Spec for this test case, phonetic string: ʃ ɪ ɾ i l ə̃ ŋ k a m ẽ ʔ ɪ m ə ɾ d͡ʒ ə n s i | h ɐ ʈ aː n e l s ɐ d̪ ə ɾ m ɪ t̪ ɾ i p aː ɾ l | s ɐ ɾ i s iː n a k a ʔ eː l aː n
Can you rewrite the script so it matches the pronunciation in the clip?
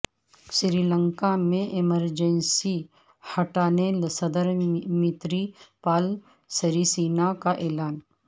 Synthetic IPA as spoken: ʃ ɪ ɾ i l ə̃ ŋ k a m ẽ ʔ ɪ m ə ɾ d͡ʒ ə n s i | h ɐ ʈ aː n e l s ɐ d̪ ə ɾ m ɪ t̪ ɾ i p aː l | s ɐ ɾ i s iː n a k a ʔ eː l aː n